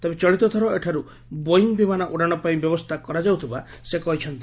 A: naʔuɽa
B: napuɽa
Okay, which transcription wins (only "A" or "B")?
A